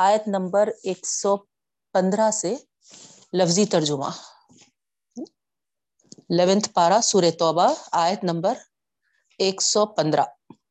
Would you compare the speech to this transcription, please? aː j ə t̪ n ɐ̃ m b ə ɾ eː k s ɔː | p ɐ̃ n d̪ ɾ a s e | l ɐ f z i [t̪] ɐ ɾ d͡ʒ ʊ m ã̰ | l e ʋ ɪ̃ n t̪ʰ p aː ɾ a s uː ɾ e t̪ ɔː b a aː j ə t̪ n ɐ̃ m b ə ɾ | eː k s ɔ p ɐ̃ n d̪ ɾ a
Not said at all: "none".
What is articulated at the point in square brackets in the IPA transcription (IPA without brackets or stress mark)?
t̪